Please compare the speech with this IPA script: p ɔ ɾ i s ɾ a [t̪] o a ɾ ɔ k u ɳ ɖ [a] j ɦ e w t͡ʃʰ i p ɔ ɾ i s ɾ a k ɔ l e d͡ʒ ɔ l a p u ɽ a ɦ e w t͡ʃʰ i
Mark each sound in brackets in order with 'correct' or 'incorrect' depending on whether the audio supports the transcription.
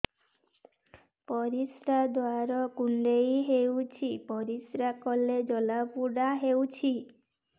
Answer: incorrect: d̪, incorrect: e

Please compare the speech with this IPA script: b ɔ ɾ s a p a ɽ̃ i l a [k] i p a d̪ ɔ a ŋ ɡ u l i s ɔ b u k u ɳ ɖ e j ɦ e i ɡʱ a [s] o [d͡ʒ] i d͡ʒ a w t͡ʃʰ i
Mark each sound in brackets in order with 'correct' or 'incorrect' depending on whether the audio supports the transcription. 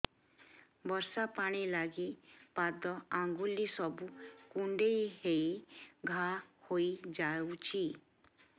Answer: incorrect: ɡ, incorrect: h, incorrect: none

